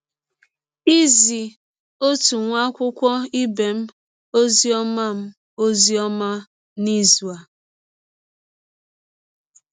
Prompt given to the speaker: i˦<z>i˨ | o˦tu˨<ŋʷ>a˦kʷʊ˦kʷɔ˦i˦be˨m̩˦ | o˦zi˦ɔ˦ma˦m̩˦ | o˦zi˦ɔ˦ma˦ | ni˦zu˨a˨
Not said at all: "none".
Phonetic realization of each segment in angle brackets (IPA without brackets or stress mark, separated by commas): z, ŋʷ